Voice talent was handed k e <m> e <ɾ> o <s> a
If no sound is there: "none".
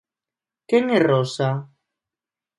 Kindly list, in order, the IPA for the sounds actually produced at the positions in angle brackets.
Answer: ŋ, r, s

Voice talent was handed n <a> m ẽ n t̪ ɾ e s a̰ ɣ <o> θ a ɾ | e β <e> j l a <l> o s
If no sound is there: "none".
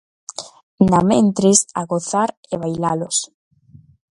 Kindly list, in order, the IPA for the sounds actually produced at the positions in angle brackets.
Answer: a, o, a, l

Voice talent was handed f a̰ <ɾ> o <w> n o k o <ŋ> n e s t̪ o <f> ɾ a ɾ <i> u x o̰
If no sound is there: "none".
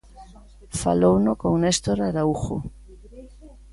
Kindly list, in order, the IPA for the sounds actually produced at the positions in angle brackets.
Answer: l, w, ŋ, none, a

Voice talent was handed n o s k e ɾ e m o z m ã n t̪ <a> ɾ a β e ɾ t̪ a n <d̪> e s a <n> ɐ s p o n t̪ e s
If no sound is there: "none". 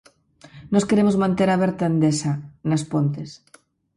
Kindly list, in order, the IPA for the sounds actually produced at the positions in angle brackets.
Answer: e, d̪, n

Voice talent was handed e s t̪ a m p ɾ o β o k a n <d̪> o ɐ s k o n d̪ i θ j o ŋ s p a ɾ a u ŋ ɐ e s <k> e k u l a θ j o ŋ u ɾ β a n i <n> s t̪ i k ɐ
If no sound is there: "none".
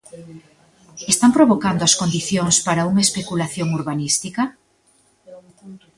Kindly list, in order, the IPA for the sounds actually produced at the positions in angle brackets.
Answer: d̪, p, none

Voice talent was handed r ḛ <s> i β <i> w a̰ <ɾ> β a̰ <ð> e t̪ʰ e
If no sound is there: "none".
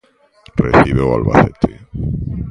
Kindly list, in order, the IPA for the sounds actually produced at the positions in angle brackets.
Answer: θ, e, l, θ

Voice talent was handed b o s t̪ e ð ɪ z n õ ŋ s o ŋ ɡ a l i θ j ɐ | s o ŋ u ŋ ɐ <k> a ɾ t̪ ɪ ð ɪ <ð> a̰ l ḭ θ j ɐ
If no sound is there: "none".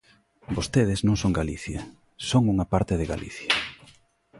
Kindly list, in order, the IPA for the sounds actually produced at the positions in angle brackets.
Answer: p, ɣ

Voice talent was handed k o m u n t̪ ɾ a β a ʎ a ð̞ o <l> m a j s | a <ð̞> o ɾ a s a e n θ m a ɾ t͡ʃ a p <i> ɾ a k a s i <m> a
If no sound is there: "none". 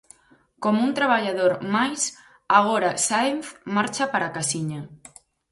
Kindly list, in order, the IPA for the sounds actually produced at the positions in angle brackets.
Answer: ɾ, ɣ̞, a, ɲ

